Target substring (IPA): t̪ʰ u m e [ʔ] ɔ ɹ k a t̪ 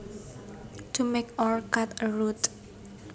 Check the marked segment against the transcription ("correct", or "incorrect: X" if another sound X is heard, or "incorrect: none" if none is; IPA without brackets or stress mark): incorrect: k